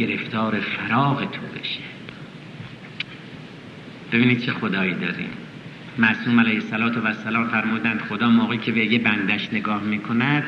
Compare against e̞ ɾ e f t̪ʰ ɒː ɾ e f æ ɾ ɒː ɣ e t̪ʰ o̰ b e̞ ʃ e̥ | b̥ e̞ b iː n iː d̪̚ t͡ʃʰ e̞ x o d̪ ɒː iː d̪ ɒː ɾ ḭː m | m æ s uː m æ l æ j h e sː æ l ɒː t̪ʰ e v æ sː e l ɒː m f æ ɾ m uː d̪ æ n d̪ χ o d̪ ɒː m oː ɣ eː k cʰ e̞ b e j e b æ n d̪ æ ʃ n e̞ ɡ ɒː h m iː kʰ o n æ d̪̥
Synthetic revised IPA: e̞ ɾ e f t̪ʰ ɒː ɾ e f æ ɾ ɒː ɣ e t̪ʰ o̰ b e̞ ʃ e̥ | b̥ e̞ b iː n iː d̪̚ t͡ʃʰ e̞ x o d̪ ɒː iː d̪ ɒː ɾ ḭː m | m æ s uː m æ l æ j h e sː æ l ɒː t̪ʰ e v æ sː æ l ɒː m f æ ɾ m uː d̪ æ n d̪ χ o d̪ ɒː m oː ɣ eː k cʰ e̞ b e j e b æ n d̪ æ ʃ n e̞ ɡ ɒː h m iː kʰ o n æ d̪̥